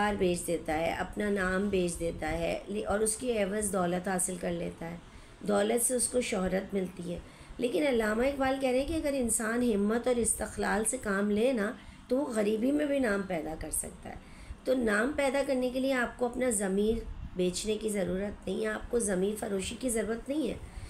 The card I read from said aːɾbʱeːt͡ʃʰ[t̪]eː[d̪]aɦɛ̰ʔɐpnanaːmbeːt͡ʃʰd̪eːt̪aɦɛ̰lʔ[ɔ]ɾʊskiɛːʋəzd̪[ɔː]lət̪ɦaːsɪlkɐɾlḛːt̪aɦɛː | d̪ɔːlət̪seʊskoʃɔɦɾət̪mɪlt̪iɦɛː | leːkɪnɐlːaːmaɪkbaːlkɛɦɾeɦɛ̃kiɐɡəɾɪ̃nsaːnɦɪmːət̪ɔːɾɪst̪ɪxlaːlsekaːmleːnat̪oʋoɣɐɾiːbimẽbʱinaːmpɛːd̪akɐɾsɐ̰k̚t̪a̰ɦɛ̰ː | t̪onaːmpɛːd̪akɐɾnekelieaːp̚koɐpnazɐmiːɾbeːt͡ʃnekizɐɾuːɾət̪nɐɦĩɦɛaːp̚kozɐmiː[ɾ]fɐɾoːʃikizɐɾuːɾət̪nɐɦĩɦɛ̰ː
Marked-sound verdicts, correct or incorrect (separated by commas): incorrect, incorrect, incorrect, correct, correct